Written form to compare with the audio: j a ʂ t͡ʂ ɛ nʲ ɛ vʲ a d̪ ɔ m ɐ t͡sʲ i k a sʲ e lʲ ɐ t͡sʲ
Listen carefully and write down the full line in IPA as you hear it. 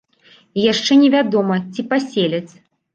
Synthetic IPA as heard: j a ʂ t͡ʂ ɛ nʲ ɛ vʲ a d̪ ɔ m ɐ t͡sʲ i p a sʲ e lʲ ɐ t͡sʲ